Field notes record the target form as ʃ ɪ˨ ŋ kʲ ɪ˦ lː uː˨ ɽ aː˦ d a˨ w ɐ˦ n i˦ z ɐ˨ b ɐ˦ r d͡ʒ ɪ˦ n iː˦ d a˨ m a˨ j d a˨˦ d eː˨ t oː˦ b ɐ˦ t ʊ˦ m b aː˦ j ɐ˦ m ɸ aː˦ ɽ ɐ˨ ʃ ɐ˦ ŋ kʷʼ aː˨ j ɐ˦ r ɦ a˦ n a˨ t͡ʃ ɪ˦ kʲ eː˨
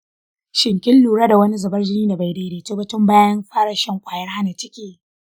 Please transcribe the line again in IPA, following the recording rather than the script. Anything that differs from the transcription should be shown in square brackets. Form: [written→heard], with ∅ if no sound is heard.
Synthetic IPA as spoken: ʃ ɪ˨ ŋ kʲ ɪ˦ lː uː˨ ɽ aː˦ d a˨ w ɐ˦ n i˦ z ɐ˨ b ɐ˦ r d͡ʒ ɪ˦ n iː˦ d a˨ [m→b] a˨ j d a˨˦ d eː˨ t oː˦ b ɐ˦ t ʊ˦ m b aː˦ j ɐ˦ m ɸ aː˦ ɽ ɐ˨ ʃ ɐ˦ ŋ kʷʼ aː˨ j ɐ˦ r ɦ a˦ n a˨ t͡ʃ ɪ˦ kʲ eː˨